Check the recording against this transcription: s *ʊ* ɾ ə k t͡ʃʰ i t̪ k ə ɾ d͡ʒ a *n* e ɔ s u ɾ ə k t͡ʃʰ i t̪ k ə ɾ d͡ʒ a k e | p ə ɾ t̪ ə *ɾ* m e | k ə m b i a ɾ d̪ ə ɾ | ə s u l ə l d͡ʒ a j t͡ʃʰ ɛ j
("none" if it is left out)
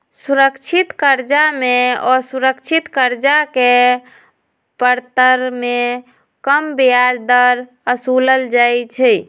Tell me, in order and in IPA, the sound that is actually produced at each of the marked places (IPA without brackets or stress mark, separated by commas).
u, m, ɾ